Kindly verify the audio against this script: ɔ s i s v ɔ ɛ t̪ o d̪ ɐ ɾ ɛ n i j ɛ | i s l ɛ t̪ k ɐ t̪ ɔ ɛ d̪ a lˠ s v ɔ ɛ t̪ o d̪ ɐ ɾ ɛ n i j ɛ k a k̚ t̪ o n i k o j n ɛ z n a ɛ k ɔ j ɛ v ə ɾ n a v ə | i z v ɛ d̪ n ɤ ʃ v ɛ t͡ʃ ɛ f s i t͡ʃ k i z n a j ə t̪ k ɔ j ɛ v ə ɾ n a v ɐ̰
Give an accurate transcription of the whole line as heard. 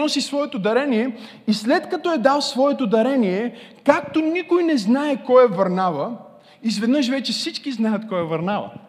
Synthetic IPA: ɔ s i s v ɔ ɛ t̪ o d̪ ɐ ɾ ɛ n i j ɛ | i s l ɛ t̪ k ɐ t̪ ɔ ɛ d̪ a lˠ s v ɔ ɛ t̪ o d̪ ɐ ɾ ɛ n i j ɛ k a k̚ t̪ o n i k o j n ɛ z n a ɛ k ɔ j ɛ v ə ɾ n a v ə | i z v ɛ d̪ n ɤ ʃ v ɛ t͡ʃ ɛ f s i t͡ʃ k i z n a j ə t̪ k ɔ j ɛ v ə ɾ n a v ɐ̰